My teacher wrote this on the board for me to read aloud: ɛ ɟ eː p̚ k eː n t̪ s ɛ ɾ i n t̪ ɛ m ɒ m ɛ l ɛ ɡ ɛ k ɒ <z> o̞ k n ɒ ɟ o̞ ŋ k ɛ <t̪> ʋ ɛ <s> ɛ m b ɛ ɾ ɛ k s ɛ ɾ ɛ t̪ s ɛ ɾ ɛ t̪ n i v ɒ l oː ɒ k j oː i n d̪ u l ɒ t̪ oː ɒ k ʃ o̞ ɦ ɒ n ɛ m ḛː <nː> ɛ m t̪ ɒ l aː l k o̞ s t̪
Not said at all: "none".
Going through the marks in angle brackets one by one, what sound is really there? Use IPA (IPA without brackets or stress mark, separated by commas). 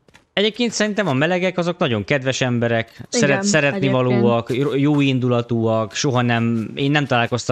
z, d̪, ʃ, nː